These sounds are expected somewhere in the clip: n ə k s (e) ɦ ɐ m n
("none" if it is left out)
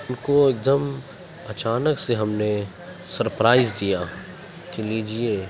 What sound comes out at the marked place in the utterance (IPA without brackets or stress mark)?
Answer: e